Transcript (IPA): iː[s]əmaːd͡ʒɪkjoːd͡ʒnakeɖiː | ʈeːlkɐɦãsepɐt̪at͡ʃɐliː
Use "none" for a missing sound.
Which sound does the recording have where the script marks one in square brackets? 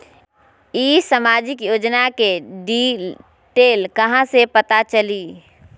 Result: s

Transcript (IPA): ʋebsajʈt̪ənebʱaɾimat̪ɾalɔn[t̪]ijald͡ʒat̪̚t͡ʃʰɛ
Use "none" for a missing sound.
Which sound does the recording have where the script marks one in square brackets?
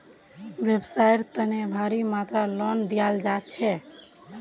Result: d̪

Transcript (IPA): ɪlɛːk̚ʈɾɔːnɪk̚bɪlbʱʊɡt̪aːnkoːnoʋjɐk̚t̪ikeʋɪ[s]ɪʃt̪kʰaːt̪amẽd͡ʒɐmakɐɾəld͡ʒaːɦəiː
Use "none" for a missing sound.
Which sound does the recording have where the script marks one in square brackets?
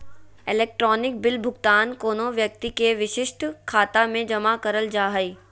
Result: ʃ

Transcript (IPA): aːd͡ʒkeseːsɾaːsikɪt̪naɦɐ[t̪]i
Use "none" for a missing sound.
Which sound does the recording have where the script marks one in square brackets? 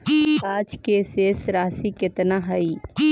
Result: none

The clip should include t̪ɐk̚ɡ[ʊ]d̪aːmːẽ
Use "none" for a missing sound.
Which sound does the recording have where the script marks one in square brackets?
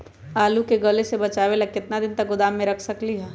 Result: ʊ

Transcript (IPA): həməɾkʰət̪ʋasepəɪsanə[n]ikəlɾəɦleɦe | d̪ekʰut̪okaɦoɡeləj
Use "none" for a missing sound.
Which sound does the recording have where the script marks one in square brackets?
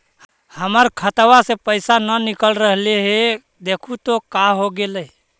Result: n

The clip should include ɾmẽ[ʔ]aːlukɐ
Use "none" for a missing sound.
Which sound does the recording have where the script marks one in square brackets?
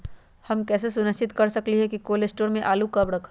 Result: ʔ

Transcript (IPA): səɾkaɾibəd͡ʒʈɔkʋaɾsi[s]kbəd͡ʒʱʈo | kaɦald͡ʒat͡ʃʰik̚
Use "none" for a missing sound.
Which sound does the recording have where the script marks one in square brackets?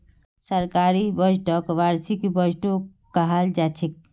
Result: none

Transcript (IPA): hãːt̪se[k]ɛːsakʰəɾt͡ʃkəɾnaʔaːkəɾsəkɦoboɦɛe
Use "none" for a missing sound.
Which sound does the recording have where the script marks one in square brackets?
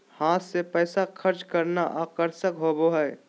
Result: p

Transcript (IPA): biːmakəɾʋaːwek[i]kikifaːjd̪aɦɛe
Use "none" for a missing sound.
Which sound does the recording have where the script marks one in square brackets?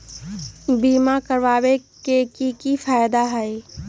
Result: e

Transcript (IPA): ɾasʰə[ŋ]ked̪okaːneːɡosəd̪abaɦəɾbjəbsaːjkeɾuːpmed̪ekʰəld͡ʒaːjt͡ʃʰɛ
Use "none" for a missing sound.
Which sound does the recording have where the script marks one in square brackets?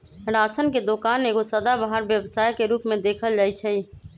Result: n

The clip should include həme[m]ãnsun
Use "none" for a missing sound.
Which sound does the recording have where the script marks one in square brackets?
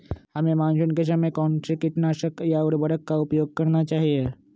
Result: m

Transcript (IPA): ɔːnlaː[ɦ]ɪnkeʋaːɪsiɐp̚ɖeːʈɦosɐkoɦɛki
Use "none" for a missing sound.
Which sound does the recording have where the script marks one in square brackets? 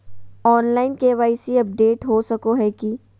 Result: none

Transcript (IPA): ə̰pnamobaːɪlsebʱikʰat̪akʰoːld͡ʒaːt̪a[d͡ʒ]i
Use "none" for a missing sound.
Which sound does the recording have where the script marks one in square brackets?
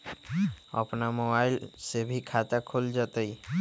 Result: none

